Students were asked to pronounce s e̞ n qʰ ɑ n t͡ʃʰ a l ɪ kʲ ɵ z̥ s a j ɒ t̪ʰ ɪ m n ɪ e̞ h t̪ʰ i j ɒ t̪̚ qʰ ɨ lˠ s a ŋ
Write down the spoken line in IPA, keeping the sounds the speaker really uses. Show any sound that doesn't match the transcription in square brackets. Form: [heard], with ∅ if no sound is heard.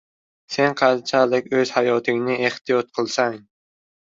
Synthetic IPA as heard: s e̞ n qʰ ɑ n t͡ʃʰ a l ɪ kʲ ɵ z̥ [h] a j ɒ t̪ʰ ɪ [ŋ] n ɪ e̞ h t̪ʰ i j ɒ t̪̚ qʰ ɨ lˠ s a ŋ

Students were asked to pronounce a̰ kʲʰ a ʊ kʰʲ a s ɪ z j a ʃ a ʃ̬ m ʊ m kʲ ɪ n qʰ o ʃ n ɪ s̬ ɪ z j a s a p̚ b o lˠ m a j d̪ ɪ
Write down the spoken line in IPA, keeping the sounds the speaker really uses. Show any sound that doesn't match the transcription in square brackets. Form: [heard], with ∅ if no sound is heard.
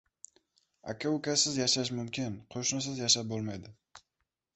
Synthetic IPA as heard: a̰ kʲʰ a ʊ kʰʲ a s ɪ z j a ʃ a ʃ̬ m ʊ m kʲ ɪ n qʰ o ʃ n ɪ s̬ ɪ z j a [ʃ] a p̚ b o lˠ m a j d̪ ɪ

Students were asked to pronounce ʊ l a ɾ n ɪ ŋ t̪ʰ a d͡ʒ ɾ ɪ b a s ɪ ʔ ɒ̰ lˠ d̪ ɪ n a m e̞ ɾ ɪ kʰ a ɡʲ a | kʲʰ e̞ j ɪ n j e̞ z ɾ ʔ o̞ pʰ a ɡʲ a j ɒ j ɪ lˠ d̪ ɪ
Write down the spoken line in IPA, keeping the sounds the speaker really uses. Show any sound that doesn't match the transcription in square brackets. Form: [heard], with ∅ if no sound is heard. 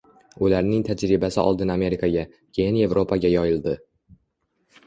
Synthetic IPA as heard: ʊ l a ɾ n ɪ ŋ t̪ʰ a d͡ʒ ɾ ɪ b a s ɪ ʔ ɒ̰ lˠ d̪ ɪ n a m e̞ ɾ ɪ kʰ a ɡʲ a | kʲʰ e̞ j ɪ n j e̞ [v] ɾ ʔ o̞ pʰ a ɡʲ a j ɒ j ɪ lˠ d̪ ɪ

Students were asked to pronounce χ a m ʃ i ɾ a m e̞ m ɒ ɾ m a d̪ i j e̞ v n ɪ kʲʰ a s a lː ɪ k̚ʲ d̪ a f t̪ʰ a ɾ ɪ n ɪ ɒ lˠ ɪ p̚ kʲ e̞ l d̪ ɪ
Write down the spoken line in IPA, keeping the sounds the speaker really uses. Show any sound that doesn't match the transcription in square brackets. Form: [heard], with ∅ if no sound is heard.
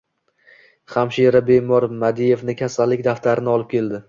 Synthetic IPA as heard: χ a m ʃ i ɾ a [b] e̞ m ɒ ɾ m a d̪ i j e̞ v n ɪ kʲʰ a s a lː ɪ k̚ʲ d̪ a f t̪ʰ a ɾ ɪ n ɪ ɒ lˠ ɪ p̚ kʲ e̞ l d̪ ɪ

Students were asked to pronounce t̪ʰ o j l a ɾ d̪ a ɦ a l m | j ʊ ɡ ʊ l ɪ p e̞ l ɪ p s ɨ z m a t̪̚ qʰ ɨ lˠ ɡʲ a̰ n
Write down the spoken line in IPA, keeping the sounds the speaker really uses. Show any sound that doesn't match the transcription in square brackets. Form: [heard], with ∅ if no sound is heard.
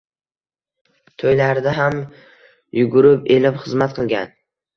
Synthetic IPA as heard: t̪ʰ o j l a ɾ d̪ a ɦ a [∅] m | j ʊ ɡ ʊ [ɾ] ɪ p e̞ l ɪ p [χ] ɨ z m a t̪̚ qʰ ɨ lˠ ɡʲ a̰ n

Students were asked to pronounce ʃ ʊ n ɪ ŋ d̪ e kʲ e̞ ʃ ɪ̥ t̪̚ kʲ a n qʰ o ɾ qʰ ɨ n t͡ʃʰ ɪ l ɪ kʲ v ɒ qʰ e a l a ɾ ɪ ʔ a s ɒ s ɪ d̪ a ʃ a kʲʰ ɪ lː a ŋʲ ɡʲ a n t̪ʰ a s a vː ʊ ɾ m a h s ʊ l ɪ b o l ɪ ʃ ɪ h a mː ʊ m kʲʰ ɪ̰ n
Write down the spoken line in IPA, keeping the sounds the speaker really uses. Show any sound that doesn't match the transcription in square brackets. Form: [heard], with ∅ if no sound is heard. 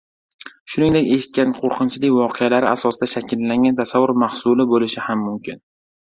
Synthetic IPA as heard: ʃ ʊ n ɪ ŋ d̪ e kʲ e̞ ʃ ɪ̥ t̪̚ kʲ a n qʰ o ɾ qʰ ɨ n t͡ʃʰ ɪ l ɪ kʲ v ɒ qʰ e a l a ɾ ɪ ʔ a s ɒ s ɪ d̪ a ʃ a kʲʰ ɪ lː a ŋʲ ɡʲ a n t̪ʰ a s a vː ʊ ɾ m a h s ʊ l ɪ b o l ɪ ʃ ɪ h a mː ʊ m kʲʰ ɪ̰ n

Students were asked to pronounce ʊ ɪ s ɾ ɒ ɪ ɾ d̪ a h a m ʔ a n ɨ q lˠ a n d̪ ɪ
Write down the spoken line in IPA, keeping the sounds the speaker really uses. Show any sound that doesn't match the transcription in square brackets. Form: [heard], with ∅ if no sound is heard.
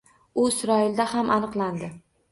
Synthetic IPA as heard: ʊ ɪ s ɾ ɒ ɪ [l] d̪ a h a m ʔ a n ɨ q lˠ a n d̪ ɪ

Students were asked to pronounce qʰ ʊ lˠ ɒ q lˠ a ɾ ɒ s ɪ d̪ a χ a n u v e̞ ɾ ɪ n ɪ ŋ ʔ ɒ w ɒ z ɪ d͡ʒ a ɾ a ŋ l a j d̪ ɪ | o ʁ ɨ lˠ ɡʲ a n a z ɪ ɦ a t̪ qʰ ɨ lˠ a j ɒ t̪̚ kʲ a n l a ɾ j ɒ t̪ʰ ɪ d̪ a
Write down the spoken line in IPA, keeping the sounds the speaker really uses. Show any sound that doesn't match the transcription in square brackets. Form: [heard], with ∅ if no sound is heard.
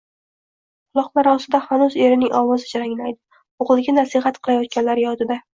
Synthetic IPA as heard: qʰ ʊ lˠ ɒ q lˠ a ɾ ɒ s ɪ d̪ a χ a n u [z] e̞ ɾ ɪ n ɪ ŋ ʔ ɒ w ɒ z ɪ d͡ʒ a ɾ a ŋ l a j d̪ ɪ | o ʁ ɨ lˠ ɡʲ a n a [s] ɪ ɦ a t̪ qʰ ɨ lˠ a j ɒ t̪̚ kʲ a n l a ɾ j ɒ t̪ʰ ɪ d̪ a

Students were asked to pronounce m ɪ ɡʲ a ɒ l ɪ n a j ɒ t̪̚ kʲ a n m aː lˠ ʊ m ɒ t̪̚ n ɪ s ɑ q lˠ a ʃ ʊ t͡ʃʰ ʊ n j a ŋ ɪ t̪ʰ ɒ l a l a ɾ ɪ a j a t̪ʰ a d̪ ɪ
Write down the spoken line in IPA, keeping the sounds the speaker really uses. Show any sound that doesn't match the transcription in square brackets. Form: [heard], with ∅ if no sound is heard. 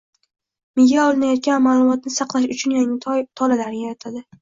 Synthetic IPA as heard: m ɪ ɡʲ a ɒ l ɪ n a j ɒ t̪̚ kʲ a n m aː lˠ ʊ m ɒ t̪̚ n ɪ s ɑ q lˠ a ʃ ʊ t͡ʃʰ ʊ n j a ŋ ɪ t̪ʰ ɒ l a l a ɾ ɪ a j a t̪ʰ a d̪ ɪ

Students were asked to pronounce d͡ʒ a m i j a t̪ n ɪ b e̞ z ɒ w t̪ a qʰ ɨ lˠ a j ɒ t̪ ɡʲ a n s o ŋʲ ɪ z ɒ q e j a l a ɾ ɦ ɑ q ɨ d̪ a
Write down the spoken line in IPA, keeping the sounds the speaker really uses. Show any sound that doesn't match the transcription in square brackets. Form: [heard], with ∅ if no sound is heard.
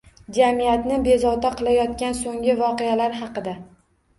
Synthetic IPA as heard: d͡ʒ a m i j a t̪ n ɪ b e̞ z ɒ w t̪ a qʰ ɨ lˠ a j ɒ t̪ [kʲ] a n s o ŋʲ ɪ [v] ɒ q e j a l a ɾ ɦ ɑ q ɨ d̪ a

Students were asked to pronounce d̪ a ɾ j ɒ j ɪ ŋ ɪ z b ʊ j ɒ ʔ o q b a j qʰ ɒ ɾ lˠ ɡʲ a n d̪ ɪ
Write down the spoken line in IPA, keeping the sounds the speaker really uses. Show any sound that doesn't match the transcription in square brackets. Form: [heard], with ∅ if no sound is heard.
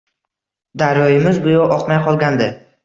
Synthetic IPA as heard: d̪ a ɾ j ɒ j ɪ [m] ɪ z b ʊ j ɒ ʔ [ɒ] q [m] a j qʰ ɒ [∅] lˠ ɡʲ a n d̪ ɪ

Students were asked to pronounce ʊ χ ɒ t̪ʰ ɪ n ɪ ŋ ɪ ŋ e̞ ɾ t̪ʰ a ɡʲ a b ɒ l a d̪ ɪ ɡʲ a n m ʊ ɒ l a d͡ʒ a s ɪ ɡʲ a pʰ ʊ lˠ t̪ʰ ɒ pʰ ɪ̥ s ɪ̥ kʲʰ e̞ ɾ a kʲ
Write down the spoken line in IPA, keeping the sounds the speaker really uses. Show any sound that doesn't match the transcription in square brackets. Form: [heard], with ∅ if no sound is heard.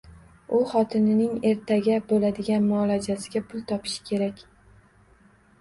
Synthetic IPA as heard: ʊ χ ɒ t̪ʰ ɪ n ɪ [n] ɪ ŋ e̞ ɾ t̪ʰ a ɡʲ a b [o] l a d̪ ɪ ɡʲ a n m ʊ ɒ l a d͡ʒ a s ɪ ɡʲ a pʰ ʊ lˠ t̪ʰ ɒ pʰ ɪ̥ [ʃ] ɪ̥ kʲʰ e̞ ɾ a kʲ

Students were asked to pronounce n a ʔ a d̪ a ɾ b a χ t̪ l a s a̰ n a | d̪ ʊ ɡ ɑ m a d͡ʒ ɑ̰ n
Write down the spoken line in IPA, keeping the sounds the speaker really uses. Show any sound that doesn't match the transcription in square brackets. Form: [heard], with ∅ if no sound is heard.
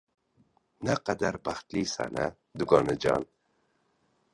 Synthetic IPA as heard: n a [q] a d̪ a ɾ b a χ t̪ l [i] s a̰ n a | d̪ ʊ ɡ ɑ [n] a d͡ʒ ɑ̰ n

